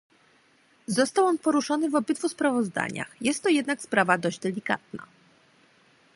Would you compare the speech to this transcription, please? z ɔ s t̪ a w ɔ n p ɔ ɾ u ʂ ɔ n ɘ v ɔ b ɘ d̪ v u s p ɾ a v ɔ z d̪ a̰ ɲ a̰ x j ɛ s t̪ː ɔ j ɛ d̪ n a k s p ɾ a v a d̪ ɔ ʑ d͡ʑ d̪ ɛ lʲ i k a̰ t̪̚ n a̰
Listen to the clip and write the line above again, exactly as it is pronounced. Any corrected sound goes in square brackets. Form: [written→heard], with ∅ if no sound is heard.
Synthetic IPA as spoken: z ɔ s t̪ a w ɔ n p ɔ ɾ u ʂ ɔ n ɘ v ɔ b ɘ d̪ v u s p ɾ a v ɔ z d̪ a̰ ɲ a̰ x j ɛ s t̪ː ɔ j ɛ d̪ n a k s p ɾ a v a d̪ ɔ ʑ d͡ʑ d̪ ɛ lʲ i k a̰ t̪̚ n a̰